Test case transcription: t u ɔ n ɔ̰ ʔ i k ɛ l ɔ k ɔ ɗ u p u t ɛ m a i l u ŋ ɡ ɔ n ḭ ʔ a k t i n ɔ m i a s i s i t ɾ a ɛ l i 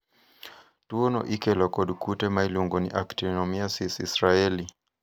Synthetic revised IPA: t u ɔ n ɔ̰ ʔ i k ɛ l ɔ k ɔ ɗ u k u t ɛ m a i l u ŋ ɡ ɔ n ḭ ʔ a k t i n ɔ m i a s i s i s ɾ a ɛ l i